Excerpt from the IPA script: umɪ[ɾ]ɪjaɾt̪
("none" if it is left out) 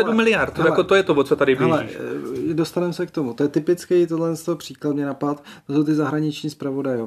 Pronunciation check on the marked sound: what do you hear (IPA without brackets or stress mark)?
l